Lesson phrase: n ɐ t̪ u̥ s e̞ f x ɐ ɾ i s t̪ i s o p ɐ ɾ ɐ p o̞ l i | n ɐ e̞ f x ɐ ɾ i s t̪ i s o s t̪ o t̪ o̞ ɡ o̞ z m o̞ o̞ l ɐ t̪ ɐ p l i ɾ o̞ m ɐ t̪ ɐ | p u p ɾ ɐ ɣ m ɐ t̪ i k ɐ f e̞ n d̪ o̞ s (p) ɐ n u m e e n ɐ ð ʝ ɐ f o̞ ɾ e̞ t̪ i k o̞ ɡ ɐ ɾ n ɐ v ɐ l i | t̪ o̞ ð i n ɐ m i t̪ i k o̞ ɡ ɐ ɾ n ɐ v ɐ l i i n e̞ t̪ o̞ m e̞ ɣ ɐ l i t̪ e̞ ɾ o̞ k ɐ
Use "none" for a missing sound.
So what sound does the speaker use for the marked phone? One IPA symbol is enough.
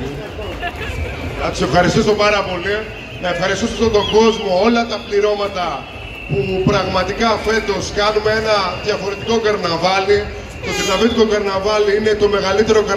k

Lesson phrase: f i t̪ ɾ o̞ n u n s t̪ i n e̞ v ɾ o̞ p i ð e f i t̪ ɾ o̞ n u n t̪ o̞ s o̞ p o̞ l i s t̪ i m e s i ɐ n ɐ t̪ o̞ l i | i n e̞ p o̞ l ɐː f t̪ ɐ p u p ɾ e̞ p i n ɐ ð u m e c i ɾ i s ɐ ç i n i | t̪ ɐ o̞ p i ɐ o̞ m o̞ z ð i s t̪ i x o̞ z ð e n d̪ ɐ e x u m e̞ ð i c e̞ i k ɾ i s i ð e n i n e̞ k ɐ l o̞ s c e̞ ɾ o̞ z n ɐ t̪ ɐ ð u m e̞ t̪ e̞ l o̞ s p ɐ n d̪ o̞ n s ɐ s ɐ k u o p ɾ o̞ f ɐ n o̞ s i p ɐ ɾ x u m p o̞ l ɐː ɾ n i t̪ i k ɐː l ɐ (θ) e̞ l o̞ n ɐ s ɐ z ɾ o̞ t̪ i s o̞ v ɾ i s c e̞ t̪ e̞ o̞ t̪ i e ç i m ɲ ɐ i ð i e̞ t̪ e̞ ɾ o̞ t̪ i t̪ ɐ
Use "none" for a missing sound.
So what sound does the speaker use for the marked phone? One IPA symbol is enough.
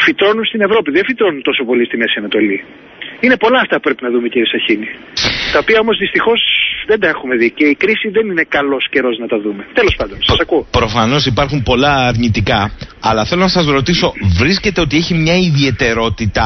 θ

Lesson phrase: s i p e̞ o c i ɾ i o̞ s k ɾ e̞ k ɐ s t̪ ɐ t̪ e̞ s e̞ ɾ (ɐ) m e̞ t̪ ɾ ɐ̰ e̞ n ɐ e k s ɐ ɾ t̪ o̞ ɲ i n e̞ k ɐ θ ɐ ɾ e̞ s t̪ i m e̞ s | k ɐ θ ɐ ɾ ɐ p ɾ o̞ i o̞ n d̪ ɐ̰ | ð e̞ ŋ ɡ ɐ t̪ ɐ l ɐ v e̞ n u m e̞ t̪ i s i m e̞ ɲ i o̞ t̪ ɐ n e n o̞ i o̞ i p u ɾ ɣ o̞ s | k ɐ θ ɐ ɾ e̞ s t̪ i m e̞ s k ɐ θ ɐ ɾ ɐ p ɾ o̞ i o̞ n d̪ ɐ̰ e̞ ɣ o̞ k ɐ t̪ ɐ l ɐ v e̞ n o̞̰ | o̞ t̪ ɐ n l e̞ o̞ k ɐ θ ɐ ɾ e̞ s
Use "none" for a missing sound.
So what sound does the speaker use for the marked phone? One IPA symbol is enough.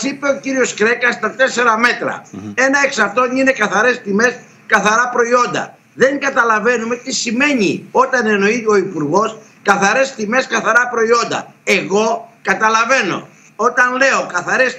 ɐ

